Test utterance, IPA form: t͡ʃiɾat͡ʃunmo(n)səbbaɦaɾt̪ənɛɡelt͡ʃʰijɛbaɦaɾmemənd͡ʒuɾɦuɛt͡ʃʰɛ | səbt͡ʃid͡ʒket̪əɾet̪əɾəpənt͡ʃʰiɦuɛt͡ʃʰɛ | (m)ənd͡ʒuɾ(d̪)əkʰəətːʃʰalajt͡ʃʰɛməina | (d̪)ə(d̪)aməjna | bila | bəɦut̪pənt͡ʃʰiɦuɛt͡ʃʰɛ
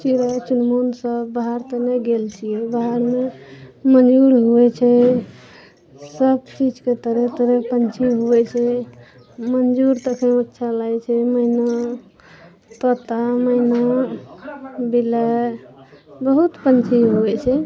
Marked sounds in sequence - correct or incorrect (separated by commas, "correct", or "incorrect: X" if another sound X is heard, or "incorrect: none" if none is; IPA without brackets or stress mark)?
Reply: correct, correct, incorrect: t̪, incorrect: t̪, incorrect: t̪